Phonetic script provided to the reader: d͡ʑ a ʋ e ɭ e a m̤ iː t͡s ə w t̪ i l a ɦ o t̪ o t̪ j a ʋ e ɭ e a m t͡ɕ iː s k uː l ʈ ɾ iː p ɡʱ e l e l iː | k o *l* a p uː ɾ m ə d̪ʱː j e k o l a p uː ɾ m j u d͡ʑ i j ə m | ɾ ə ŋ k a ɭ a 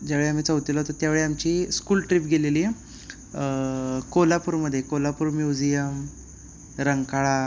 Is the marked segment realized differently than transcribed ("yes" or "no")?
no